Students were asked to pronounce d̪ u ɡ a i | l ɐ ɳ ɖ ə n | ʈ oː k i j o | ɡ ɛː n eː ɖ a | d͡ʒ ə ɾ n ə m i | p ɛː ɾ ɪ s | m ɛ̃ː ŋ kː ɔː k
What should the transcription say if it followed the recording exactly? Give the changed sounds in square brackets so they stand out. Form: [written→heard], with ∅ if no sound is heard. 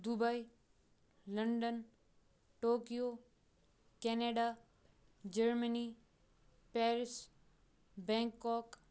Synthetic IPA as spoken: d̪ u [ɡ→b] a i | l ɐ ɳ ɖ ə n | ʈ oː k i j o | [ɡ→k] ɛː n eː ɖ a | d͡ʒ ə ɾ [n→m] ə [m→n] i | p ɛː ɾ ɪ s | [m→b] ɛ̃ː ŋ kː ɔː k